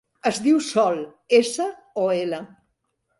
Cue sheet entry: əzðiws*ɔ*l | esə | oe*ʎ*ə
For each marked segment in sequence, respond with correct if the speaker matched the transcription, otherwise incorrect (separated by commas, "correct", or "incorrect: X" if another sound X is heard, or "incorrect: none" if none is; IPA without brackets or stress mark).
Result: correct, incorrect: l